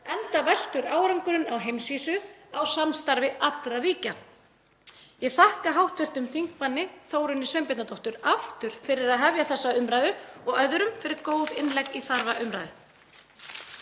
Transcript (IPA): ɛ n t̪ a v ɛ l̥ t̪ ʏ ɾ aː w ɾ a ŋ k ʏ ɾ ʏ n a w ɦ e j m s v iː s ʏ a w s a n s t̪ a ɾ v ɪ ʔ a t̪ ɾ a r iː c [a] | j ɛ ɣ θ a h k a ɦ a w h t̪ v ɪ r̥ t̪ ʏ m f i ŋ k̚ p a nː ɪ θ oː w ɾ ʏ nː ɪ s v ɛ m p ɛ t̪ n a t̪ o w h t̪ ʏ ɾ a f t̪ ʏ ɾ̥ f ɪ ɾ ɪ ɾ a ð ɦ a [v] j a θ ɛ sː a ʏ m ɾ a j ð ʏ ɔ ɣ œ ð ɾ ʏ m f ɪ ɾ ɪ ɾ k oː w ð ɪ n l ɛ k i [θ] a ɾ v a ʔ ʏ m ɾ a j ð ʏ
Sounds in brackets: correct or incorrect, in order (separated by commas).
correct, correct, correct